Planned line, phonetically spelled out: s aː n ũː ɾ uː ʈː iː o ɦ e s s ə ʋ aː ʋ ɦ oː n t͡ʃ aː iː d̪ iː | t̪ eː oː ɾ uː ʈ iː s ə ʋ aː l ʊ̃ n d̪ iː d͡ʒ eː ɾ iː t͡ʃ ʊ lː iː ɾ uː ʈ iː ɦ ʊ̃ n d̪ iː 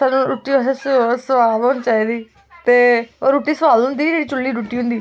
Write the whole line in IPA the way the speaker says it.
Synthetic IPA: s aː n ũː ɾ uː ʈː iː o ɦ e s s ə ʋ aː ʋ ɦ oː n t͡ʃ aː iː d̪ iː | t̪ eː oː ɾ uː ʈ iː s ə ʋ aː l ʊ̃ n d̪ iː d͡ʒ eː ɽ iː t͡ʃ ʊ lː iː ɾ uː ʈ iː ɦ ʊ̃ n d̪ iː

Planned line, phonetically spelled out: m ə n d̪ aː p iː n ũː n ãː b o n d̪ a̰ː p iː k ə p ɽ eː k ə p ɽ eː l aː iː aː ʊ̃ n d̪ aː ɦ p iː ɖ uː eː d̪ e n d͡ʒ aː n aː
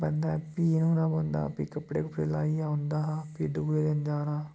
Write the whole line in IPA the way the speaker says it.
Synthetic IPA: b ə n d̪ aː p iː n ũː n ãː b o n d̪ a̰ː p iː k ə p ɽ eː k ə p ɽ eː l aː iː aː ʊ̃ n d̪ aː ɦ p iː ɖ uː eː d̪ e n d͡ʒ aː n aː

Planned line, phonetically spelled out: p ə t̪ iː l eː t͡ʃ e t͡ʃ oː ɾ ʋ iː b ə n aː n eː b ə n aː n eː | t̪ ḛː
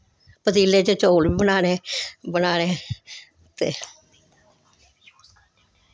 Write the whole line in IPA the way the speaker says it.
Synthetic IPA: p ə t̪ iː l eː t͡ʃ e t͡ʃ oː l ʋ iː b ə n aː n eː b ə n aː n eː | t̪ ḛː

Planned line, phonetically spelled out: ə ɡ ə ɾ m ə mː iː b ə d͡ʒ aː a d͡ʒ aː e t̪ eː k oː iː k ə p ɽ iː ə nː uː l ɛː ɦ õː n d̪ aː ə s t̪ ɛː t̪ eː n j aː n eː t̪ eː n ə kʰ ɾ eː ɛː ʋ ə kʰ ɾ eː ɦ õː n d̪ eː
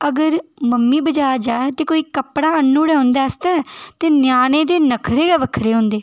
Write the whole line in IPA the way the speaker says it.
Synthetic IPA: ə ɡ ə ɾ m ə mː iː b ə d͡ʒ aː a d͡ʒ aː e t̪ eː k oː iː k ə p ɽ aː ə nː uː ɽ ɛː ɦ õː n d̪ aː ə s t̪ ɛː t̪ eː n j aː n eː d̪ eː n ə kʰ ɾ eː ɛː ʋ ə kʰ ɾ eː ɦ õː n d̪ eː

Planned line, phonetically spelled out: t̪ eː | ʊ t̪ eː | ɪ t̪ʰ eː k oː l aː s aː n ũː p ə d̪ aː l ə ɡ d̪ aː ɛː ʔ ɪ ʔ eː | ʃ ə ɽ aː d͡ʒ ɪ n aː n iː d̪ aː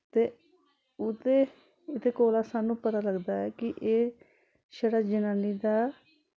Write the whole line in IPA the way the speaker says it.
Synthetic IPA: t̪ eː | ʊ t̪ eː | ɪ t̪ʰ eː k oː l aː s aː n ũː p ə t̪ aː l ə ɡ d̪ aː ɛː k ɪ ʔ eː | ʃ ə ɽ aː d͡ʒ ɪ n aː n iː d̪ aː

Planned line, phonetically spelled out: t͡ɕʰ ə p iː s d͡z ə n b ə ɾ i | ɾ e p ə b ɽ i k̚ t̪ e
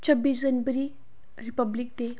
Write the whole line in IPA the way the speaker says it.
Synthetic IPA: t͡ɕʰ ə b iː s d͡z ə n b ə ɾ i | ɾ i p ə b l i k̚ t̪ e

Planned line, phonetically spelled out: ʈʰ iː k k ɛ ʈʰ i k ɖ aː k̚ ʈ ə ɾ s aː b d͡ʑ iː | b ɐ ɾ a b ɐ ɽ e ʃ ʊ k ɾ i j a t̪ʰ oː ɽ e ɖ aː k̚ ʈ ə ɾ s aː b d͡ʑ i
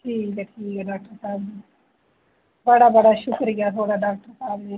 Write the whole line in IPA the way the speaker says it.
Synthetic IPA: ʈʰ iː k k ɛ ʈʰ iː k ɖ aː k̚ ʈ ə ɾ s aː b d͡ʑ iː | b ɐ ɽ a b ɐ ɽ a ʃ ʊ k ɾ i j a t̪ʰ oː ɽ a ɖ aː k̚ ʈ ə ɾ s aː b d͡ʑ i

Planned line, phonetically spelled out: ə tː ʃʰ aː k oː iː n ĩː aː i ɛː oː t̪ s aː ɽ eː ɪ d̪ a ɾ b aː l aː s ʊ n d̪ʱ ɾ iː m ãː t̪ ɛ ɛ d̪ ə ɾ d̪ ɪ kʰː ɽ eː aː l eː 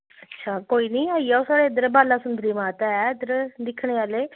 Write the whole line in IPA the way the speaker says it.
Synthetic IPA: ə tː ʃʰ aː k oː iː n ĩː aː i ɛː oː s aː ɽ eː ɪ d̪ ə ɾ b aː l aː s ʊ n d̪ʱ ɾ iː m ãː t̪ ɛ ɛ d̪ ə ɾ d̪ ɪ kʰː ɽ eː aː l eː

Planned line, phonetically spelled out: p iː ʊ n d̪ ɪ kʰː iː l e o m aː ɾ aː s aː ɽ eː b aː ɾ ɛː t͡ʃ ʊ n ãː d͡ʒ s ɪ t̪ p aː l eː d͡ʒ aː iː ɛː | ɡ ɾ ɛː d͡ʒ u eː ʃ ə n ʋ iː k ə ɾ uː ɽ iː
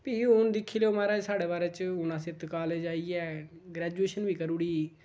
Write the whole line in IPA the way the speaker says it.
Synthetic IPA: p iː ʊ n d̪ ɪ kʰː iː l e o m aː ɾ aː s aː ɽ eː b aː ɾ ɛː t͡ʃ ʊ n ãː s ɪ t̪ k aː l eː d͡ʒ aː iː ɛː | ɡ ɾ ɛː d͡ʒ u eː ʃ ə n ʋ iː k ə ɾ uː ɽ iː

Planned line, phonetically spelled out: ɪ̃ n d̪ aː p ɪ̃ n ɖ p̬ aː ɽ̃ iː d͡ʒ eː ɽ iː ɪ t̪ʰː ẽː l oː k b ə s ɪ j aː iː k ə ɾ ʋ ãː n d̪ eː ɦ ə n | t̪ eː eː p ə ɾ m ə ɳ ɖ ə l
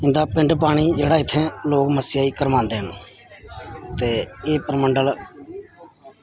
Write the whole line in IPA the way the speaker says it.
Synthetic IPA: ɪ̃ n d̪ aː p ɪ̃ ɳ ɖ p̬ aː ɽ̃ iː d͡ʒ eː ɽ aː ɪ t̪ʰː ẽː l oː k m ə s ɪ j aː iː k ə ɾ ʋ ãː n d̪ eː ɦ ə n | t̪ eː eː p ə ɾ m ə ɳ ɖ ə l

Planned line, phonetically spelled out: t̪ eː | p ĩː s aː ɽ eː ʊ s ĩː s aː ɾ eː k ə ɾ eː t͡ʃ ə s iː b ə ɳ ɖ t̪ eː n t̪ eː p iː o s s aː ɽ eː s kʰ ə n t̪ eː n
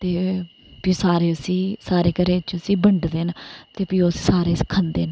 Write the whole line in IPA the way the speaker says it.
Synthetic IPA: t̪ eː | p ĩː s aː ɾ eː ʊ s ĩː s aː ɾ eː k ə ɾ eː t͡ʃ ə s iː b ə ɳ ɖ d̪ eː n t̪ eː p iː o s s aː ɾ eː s kʰ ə n d̪ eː n

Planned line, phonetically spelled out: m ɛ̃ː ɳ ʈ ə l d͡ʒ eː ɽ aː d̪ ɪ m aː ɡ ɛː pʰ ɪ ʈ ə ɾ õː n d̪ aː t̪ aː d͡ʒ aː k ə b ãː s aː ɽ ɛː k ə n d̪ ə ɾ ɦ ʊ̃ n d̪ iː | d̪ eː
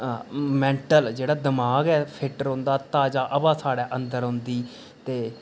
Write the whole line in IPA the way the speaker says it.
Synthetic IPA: m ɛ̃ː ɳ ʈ ə l d͡ʒ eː ɽ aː d̪ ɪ m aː ɡ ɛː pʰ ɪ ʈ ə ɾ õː n d̪ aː t̪ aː d͡ʒ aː ʔ ə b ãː s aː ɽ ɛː ʔ ə n d̪ ə ɾ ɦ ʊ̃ n d̪ iː | t̪ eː

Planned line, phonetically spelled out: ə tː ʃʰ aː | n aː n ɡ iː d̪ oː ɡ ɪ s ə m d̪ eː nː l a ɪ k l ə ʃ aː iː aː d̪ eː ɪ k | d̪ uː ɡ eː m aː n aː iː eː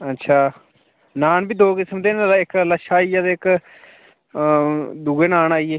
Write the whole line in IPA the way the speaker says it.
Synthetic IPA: ə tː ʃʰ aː | n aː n b iː d̪ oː k ɪ s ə m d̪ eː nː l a ɪ k l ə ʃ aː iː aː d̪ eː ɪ k | d̪ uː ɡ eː n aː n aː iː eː

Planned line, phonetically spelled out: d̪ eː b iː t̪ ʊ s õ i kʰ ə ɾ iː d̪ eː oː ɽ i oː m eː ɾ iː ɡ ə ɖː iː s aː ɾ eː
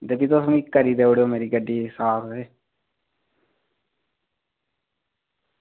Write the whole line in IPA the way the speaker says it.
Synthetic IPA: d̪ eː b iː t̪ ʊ s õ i k ə ɾ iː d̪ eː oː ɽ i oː m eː ɾ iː ɡ ə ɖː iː s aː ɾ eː

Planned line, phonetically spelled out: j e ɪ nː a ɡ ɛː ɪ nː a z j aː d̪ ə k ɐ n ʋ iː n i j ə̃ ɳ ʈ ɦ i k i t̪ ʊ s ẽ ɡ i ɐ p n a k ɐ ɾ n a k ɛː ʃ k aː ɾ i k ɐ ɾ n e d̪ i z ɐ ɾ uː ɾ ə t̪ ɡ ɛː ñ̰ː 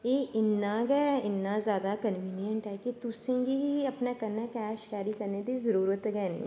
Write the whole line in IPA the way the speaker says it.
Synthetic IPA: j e ɪ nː a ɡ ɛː ɪ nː a z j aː d̪ a k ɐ n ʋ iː n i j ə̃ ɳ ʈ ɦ ɛ k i t̪ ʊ s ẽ ɡ i ɐ p n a k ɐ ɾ n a k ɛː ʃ k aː ɾ i k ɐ ɾ n e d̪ i z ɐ ɾ uː ɾ ə t̪ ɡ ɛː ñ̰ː

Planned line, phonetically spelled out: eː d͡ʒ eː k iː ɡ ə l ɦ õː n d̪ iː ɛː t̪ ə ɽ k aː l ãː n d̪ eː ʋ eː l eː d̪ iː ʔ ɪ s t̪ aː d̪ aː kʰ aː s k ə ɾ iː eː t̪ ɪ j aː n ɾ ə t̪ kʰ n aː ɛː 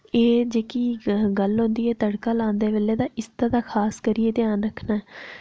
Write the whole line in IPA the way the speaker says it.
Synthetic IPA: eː d͡ʒ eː k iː ɡ ə l ɦ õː n d̪ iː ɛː t̪ ə ɽ k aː l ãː n d̪ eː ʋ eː l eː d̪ aː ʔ ɪ s t̪ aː d̪ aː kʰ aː s k ə ɾ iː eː t̪ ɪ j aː n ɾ ə kʰ n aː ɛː

